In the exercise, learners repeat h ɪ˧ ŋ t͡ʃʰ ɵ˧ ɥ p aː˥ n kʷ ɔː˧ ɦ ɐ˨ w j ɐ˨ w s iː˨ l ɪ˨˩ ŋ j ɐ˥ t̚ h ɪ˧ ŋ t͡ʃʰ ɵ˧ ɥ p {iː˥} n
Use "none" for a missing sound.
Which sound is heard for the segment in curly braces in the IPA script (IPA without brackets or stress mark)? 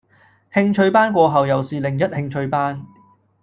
aː˥